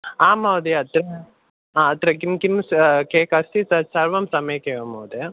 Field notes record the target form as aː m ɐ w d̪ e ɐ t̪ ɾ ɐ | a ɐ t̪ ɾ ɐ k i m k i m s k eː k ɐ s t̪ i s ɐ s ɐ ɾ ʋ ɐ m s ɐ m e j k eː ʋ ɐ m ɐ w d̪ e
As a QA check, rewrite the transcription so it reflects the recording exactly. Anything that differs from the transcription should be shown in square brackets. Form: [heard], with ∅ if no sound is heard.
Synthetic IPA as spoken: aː m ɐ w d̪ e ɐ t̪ ɾ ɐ | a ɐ t̪ ɾ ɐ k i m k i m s k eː k ɐ s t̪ i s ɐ s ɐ ɾ ʋ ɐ m s ɐ m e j k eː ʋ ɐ m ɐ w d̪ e

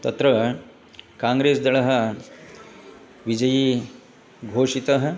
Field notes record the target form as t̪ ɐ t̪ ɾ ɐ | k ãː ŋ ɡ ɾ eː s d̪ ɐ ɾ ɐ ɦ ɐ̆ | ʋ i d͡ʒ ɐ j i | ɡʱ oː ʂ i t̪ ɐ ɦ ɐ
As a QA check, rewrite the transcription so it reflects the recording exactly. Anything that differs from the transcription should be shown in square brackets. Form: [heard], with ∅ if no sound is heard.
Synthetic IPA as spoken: t̪ ɐ t̪ ɾ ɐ | k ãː ŋ ɡ ɾ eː s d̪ ɐ [ɭ] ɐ ɦ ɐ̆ | ʋ i d͡ʒ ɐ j i | ɡʱ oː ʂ i t̪ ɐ ɦ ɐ

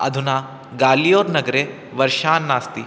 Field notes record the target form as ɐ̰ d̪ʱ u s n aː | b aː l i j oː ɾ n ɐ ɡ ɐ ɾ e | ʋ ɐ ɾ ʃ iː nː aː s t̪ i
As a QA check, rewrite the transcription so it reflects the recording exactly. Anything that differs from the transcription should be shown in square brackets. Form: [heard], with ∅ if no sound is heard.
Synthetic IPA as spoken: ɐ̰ d̪ʱ u [∅] n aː | [ɡ] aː l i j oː ɾ n ɐ ɡ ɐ ɾ e | ʋ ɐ ɾ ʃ [aː] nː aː s t̪ i

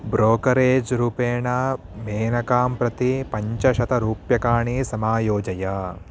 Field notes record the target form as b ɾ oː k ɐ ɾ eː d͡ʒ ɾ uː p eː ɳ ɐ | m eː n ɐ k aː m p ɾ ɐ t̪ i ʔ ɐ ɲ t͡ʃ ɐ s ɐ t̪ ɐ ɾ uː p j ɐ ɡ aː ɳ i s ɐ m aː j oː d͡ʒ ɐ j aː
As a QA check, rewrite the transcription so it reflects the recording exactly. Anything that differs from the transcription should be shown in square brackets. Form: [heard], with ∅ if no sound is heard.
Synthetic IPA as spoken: b ɾ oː k ɐ ɾ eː d͡ʒ ɾ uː p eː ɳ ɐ | m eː n ɐ k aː m p ɾ ɐ t̪ i [p] ɐ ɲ t͡ʃ ɐ [ʃ] ɐ t̪ ɐ ɾ uː p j ɐ [k] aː ɳ i s ɐ m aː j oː d͡ʒ ɐ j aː

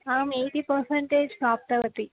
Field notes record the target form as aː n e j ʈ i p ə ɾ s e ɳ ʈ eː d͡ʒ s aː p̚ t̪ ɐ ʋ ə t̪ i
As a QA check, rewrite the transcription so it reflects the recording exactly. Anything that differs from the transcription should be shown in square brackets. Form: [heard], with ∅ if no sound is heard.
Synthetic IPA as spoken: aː [m] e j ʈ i p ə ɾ s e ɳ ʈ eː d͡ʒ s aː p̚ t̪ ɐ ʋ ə t̪ i

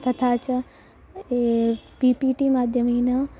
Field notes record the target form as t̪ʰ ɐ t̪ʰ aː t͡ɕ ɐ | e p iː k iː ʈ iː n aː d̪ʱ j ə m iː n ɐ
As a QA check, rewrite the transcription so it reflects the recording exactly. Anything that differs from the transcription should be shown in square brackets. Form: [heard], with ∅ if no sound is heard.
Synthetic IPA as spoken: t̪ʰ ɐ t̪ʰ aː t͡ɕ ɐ | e p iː [p] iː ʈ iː [m] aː d̪ʱ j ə m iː n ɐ

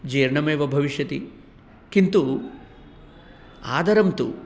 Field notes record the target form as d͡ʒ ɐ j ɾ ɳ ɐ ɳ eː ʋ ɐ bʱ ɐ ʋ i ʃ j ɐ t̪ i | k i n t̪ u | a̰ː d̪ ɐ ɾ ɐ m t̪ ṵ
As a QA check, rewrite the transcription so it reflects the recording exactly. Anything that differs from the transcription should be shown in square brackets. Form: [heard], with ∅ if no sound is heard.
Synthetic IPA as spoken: d͡ʒ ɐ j ɾ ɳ ɐ [m] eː ʋ ɐ bʱ ɐ ʋ i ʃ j ɐ t̪ i | k i n t̪ u | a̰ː d̪ ɐ ɾ ɐ m t̪ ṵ

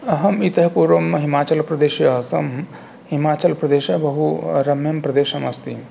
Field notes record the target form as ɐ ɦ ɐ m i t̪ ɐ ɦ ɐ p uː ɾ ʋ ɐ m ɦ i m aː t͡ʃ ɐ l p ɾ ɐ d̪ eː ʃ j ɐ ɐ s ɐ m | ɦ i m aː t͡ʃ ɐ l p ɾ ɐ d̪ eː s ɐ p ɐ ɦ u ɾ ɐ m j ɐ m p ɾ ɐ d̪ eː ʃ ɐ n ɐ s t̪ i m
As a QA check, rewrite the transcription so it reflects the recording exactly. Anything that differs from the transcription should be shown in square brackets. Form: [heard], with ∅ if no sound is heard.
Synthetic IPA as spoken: ɐ ɦ ɐ m i t̪ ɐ ɦ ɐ p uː ɾ ʋ ɐ m ɦ i m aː t͡ʃ ɐ l p ɾ ɐ d̪ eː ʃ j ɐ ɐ s ɐ m | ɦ i m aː t͡ʃ ɐ l p ɾ ɐ d̪ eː [ʃ] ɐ [b] ɐ ɦ u ɾ ɐ m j ɐ m p ɾ ɐ d̪ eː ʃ ɐ [m] ɐ s t̪ i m

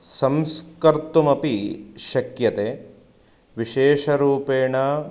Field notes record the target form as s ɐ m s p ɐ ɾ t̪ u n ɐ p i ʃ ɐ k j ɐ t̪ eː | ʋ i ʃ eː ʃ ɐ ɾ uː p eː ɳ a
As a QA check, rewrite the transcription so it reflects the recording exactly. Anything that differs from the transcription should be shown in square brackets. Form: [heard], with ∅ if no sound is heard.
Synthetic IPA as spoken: s ɐ m s [k] ɐ ɾ t̪ u [m] ɐ p i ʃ ɐ k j ɐ t̪ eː | ʋ i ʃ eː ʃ ɐ ɾ uː p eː ɳ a

